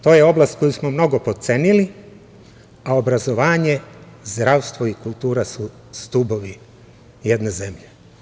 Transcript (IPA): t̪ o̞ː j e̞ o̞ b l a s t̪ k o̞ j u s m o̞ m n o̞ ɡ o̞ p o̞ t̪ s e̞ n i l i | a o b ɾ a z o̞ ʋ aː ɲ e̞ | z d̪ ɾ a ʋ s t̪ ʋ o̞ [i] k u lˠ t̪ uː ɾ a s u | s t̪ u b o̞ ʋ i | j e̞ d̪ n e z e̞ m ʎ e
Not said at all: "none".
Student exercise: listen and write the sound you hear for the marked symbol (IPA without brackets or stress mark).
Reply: i